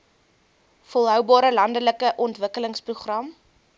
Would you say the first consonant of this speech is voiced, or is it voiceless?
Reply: voiceless